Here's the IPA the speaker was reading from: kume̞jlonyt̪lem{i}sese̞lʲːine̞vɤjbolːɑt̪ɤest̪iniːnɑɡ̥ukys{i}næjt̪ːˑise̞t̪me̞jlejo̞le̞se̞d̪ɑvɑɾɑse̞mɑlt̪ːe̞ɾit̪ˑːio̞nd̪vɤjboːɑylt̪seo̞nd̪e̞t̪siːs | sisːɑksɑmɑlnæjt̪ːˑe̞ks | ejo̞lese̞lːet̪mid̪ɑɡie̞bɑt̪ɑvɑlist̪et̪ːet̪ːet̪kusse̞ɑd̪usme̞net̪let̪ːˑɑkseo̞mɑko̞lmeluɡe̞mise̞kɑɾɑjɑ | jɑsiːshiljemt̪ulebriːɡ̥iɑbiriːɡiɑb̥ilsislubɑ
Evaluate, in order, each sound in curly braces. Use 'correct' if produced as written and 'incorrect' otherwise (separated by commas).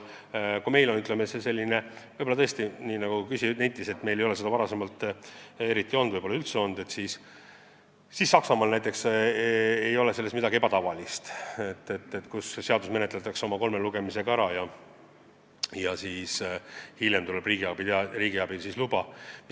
incorrect, correct